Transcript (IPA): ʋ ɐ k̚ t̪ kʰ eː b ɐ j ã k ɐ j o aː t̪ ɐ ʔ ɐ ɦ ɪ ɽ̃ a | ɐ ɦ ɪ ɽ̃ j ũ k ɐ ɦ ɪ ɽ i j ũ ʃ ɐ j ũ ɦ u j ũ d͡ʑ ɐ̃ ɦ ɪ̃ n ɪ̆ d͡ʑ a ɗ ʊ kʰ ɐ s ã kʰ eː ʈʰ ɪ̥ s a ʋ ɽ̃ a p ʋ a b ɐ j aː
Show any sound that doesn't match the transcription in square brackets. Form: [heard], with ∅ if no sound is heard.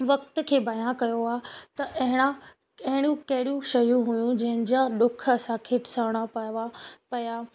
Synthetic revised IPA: ʋ ɐ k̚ t̪ kʰ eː b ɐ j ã k ɐ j o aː t̪ ɐ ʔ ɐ ɦ ɪ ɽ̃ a | ɐ ɦ ɪ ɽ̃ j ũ k ɐ ɦ ɪ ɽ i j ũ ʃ ɐ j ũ ɦ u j ũ d͡ʑ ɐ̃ ɦ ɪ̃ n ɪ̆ d͡ʑ a ɗ ʊ kʰ ɐ s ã kʰ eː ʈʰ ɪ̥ s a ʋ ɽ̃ a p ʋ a [p] ɐ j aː